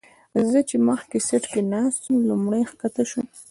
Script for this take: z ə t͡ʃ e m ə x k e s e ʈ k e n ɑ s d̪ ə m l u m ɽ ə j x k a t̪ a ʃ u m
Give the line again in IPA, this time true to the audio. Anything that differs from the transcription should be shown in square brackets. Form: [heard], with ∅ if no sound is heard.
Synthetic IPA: z ə t͡ʃ e m ə x k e s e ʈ k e n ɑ s [t̪] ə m l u m ɽ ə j x k a t̪ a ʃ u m